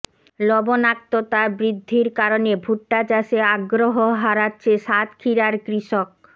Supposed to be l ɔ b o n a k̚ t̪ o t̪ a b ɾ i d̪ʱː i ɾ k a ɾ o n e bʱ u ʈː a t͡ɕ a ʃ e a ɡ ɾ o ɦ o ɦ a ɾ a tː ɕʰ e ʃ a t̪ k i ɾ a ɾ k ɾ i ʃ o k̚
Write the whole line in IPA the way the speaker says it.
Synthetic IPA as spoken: l ɔ b o n a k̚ t̪ o t̪ a b ɾ i d̪ʱː i ɾ k a ɾ o n e bʱ u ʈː a t͡ɕ a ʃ e a ɡ ɾ o ɦ o ɦ a ɾ a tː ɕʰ e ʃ a t̪ kʰ i ɾ a ɾ k ɾ i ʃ o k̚